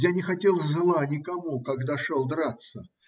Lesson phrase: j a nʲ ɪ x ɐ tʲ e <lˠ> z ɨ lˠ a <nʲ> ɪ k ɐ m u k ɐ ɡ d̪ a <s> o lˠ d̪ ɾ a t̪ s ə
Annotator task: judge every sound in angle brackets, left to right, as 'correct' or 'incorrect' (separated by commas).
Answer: correct, correct, incorrect